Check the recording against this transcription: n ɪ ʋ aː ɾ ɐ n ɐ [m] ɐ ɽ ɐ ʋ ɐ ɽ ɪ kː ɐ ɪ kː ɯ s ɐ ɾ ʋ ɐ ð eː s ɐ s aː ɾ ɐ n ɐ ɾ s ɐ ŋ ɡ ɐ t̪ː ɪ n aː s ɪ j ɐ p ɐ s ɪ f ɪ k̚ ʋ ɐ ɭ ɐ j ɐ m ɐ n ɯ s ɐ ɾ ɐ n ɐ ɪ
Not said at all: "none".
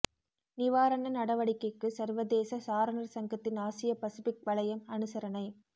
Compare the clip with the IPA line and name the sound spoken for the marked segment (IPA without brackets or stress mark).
n